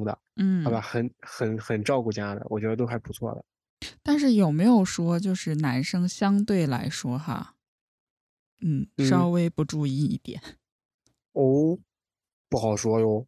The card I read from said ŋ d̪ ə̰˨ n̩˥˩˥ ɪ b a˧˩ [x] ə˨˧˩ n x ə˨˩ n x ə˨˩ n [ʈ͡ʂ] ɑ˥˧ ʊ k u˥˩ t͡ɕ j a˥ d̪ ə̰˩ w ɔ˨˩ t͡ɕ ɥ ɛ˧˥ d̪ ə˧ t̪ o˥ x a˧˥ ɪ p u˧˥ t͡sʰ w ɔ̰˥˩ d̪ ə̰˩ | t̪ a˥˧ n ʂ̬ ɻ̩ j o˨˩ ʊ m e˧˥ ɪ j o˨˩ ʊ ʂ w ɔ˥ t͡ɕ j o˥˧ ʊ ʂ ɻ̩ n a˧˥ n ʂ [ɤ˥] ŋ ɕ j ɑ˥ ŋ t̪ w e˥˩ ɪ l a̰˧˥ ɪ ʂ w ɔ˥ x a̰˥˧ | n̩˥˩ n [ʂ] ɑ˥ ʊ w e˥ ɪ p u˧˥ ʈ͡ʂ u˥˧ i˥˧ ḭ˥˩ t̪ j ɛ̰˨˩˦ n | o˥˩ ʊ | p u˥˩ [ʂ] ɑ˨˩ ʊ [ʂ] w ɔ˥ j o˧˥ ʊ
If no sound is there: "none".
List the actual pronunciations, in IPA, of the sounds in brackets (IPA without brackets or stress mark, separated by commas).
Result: x, ʈ͡ʂ, ɤ˥, ʂ, x, ʂ